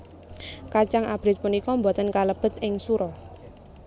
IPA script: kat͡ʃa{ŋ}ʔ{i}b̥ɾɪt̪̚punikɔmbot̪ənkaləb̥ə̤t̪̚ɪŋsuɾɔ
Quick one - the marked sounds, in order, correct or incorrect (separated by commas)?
correct, incorrect